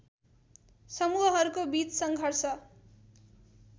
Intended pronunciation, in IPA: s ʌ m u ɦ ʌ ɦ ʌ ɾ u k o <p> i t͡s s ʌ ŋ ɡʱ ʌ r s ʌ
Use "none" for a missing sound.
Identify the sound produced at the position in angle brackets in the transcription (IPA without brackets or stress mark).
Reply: b